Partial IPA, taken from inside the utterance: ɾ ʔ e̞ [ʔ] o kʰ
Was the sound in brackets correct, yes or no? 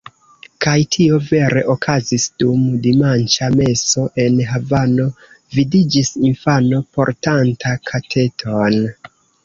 yes